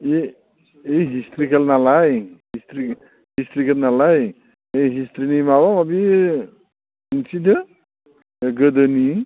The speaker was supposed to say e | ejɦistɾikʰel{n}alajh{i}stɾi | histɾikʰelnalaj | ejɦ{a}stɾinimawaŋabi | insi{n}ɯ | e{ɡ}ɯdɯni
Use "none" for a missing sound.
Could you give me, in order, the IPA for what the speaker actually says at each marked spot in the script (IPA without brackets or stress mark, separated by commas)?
n, i, i, d, ɡ